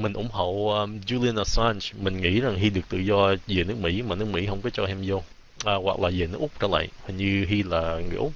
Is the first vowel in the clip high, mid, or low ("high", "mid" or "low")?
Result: high